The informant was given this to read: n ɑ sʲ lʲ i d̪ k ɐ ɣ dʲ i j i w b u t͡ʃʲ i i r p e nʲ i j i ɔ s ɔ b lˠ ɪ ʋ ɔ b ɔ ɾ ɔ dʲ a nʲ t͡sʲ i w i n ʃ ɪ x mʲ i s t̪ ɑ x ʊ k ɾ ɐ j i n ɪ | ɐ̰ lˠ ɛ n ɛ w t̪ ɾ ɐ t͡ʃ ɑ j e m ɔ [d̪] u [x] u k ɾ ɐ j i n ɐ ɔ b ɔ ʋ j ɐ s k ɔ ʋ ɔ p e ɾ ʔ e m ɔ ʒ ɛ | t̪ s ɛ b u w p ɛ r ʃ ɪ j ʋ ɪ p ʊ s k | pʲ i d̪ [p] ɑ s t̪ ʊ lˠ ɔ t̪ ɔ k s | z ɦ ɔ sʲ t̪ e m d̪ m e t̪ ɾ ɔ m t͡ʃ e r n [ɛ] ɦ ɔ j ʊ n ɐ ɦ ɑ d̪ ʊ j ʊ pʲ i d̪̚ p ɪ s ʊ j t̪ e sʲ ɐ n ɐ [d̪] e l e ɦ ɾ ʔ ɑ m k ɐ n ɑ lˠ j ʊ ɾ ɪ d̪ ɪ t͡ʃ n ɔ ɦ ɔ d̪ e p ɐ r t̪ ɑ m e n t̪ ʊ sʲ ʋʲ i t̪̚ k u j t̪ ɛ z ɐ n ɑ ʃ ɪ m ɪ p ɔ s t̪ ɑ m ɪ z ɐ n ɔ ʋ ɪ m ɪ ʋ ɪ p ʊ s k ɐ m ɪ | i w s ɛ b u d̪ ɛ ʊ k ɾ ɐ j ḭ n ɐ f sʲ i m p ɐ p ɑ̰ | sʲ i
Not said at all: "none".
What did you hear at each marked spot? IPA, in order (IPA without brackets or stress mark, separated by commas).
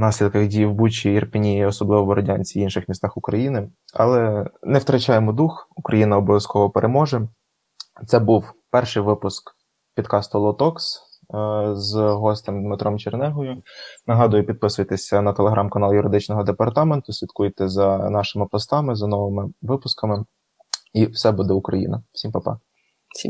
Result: d̪, x, k, ɛ, t̪